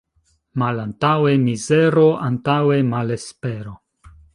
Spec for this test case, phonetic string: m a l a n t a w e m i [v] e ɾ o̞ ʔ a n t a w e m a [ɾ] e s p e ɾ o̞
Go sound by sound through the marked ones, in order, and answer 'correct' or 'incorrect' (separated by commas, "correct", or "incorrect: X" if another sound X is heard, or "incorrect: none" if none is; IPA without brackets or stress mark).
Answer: incorrect: z, incorrect: l